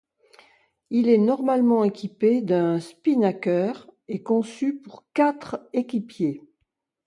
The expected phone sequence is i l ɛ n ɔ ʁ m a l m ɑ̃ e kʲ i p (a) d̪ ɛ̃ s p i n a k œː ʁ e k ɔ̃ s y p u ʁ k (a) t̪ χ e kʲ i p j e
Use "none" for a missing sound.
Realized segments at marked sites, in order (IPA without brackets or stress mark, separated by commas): e, a